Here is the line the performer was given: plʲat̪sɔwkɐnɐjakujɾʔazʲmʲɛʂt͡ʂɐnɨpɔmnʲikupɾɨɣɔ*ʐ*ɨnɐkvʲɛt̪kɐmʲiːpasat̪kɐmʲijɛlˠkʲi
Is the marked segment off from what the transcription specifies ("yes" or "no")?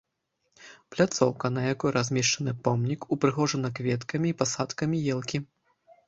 no